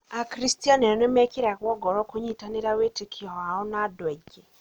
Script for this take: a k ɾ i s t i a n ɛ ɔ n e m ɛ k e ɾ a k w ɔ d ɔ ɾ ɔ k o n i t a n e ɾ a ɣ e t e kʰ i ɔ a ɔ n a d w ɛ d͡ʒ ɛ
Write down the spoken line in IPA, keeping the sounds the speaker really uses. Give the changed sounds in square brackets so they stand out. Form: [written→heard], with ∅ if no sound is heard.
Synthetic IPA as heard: a k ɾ i s t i a n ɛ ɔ n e m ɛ k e ɾ a k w ɔ [d→ɡ] ɔ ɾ ɔ k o [n→ɲ] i t a n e ɾ a [ɣ→w] e t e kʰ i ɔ a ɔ n a d w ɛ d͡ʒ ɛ